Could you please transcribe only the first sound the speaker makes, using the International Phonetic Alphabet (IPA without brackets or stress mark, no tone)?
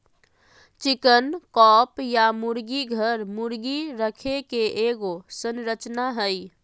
t͡ʃ